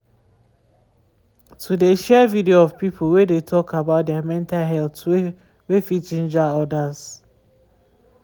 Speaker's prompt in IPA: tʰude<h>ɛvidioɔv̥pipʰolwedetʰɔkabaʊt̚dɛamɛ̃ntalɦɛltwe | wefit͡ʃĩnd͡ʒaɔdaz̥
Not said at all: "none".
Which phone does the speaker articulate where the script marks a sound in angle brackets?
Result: ʃ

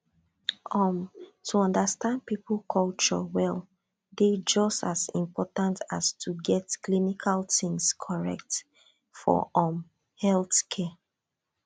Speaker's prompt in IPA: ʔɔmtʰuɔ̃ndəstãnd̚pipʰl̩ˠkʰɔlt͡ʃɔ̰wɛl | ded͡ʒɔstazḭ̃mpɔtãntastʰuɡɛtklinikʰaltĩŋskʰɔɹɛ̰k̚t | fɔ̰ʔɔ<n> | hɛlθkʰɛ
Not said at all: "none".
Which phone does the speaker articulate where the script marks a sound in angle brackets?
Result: m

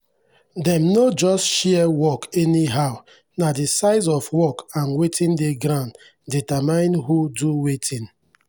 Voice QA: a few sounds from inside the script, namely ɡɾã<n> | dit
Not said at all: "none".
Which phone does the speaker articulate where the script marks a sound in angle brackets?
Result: n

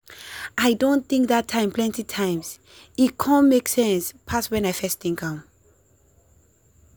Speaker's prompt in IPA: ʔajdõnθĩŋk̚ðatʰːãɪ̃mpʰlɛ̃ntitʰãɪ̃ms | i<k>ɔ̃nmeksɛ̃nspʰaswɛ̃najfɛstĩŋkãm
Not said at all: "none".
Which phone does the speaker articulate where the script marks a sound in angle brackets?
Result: kʰ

